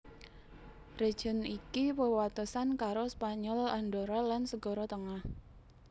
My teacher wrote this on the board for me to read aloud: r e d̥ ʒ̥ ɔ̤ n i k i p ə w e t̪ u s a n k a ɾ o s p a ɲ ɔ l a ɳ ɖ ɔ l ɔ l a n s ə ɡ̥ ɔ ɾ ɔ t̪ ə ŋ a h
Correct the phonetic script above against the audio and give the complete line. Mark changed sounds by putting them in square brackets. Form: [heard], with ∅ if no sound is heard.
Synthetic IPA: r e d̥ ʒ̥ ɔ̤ n i k i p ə w [a] t̪ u s a n k a ɾ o s p a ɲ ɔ l a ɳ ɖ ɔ [ɾ] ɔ l a n s ə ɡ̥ ɔ ɾ ɔ t̪ ə ŋ a h